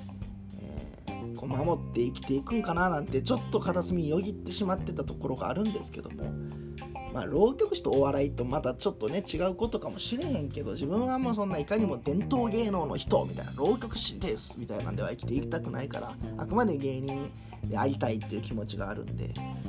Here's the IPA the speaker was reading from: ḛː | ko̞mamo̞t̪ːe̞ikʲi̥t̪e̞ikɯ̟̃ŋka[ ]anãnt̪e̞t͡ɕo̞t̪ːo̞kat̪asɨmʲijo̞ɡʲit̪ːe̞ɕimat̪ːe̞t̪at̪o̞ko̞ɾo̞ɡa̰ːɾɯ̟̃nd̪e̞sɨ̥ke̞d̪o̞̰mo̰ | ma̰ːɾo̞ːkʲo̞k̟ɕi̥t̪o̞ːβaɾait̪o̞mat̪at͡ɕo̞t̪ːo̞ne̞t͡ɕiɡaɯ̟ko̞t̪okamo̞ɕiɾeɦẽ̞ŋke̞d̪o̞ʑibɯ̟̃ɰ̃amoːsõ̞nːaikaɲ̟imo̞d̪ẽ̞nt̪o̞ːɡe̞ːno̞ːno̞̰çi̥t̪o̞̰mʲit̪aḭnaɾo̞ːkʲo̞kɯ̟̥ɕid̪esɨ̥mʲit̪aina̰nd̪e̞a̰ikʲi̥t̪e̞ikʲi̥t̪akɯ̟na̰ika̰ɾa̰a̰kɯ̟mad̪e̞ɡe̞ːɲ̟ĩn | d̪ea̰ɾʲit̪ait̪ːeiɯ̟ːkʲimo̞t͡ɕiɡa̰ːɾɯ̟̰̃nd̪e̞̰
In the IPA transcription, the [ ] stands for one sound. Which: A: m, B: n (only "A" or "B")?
B